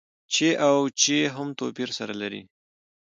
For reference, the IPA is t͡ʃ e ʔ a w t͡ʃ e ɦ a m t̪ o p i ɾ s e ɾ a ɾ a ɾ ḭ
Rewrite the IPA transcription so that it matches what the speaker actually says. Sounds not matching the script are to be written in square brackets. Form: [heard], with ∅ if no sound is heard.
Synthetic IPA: t͡ʃ e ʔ a w t͡ʃ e ɦ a m t̪ o p i ɾ s [a] ɾ a [l] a ɾ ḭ